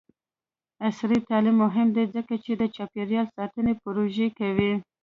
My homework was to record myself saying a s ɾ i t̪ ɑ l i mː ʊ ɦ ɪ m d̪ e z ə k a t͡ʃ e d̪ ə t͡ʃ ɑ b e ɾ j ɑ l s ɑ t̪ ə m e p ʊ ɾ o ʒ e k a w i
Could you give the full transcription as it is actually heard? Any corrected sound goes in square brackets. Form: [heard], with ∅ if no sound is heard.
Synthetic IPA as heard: a s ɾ i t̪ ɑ l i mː ʊ ɦ ɪ m d̪ e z ə k a t͡ʃ e d̪ ə t͡ʃ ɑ [p] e ɾ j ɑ l s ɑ t̪ ə [n] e p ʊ ɾ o ʒ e k a w i